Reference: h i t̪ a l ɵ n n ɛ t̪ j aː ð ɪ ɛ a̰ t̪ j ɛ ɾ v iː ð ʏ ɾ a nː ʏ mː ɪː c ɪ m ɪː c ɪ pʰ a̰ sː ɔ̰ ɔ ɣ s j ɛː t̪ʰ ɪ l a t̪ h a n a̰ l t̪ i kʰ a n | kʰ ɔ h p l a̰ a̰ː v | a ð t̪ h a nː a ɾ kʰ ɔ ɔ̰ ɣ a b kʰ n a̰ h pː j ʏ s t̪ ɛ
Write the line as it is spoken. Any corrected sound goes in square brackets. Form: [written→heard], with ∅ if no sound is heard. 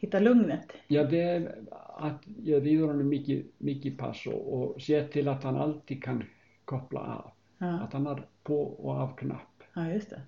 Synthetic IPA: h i t̪ a l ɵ [n→ŋ] n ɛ t̪ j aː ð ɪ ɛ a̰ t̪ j ɛ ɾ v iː ð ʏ ɾ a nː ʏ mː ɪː c ɪ m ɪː c ɪ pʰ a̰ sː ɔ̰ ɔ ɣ s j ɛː t̪ʰ ɪ l a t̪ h a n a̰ l t̪ i kʰ a n | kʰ ɔ h p l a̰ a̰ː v | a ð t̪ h a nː a ɾ [kʰ→pʰ] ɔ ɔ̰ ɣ a [b→v] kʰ n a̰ h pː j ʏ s t̪ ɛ